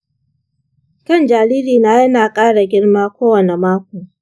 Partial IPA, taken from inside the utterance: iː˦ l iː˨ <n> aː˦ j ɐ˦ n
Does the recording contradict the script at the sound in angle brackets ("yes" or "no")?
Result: no